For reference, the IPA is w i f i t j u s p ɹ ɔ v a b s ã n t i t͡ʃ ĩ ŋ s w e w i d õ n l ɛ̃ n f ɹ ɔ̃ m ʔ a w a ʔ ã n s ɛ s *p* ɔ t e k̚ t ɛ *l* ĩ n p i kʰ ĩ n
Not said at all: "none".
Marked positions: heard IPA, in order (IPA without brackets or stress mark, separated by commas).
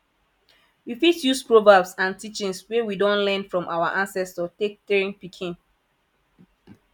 t, ɹ